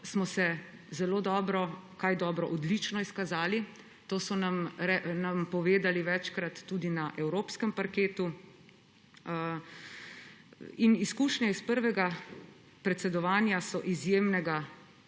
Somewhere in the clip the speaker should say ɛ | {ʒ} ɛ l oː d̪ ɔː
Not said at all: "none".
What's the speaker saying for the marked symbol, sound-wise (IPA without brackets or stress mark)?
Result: z